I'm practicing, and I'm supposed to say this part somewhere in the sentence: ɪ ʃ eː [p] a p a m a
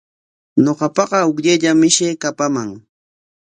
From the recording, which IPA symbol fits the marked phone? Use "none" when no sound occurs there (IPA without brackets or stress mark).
k